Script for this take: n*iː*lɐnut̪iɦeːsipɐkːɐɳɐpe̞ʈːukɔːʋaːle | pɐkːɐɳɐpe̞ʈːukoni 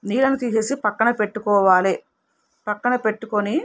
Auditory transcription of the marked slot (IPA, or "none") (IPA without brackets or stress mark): iː